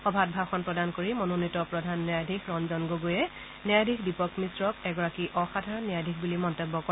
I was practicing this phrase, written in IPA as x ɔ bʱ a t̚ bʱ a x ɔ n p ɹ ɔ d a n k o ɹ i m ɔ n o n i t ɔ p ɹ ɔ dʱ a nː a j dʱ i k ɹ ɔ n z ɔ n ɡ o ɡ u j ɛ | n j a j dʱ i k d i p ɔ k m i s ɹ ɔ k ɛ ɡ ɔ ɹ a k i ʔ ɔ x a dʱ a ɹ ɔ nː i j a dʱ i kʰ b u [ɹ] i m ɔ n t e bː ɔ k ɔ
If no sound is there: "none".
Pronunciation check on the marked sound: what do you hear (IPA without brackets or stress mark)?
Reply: l